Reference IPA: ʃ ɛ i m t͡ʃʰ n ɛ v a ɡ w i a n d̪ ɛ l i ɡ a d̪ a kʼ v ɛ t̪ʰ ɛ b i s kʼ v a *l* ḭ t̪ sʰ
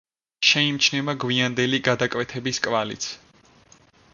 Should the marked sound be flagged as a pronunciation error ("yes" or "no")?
no